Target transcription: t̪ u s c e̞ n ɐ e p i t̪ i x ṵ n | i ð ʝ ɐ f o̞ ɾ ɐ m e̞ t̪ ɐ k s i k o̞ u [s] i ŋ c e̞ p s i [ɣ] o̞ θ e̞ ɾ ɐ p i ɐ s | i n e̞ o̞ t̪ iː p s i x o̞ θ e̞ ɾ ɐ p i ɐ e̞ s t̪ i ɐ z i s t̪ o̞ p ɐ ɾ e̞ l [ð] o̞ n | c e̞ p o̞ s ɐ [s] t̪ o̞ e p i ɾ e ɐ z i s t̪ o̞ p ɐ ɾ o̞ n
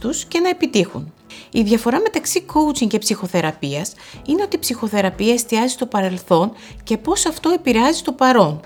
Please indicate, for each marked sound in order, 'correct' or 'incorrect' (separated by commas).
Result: incorrect, incorrect, incorrect, incorrect